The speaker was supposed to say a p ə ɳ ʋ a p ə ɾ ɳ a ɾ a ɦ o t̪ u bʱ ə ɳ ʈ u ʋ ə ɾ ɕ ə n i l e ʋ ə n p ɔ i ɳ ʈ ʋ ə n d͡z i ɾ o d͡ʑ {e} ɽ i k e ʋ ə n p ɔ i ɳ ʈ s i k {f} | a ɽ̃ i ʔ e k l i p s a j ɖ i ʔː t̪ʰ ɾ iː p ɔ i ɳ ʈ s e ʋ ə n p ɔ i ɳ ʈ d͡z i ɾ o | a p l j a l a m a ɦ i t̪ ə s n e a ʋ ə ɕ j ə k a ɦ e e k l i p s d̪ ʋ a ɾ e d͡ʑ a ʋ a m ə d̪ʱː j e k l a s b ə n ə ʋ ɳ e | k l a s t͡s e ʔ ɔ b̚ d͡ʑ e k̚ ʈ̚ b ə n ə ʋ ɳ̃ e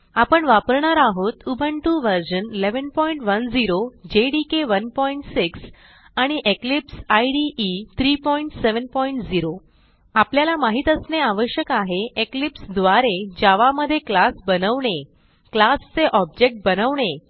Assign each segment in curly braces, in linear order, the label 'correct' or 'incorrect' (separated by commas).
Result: correct, incorrect